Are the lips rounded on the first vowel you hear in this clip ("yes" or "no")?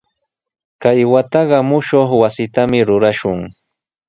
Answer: no